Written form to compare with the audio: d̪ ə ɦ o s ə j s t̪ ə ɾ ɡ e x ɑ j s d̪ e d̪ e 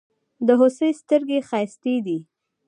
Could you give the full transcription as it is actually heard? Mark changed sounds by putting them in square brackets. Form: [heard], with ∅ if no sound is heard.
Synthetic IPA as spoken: d̪ ə ɦ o s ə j s t̪ ə ɾ ɡ e x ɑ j s [t̪] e d̪ [i]